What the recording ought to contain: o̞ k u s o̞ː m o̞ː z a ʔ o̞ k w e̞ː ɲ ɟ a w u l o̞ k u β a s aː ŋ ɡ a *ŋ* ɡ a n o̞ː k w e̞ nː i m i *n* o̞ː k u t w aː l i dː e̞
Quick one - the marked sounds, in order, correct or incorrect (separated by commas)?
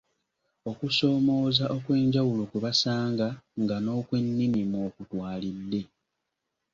correct, incorrect